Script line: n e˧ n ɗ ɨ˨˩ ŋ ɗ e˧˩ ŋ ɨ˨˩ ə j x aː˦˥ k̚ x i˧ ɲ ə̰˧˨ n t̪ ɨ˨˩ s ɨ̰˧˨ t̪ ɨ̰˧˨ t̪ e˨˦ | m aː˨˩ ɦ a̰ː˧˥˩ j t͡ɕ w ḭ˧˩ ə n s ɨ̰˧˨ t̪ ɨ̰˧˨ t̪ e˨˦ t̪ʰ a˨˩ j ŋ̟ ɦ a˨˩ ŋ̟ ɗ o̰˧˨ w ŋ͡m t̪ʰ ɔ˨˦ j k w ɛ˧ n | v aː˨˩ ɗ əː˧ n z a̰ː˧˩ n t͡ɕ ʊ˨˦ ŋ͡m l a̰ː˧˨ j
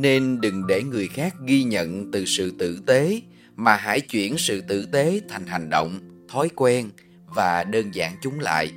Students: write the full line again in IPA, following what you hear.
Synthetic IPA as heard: n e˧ n ɗ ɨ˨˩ ŋ ɗ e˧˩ ŋ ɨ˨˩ ə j x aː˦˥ k̚ ɣ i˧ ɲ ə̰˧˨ n t̪ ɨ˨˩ s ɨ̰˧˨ t̪ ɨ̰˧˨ t̪ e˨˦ | m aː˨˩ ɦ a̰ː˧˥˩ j t͡ɕ w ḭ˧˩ ə n s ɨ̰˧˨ t̪ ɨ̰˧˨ t̪ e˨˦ t̪ʰ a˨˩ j ŋ̟ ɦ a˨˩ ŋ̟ ɗ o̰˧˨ w ŋ͡m t̪ʰ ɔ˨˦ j k w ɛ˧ n | v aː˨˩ ɗ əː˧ n z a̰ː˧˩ n t͡ɕ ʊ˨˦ ŋ͡m l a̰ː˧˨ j